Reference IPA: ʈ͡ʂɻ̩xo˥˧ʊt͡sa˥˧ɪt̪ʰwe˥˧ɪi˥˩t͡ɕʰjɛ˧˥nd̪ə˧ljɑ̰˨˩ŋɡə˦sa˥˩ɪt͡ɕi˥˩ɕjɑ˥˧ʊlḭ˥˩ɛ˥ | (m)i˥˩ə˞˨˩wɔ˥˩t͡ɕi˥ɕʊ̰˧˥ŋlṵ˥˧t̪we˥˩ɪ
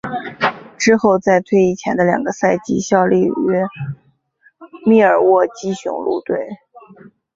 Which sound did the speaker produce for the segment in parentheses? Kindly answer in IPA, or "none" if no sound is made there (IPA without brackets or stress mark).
m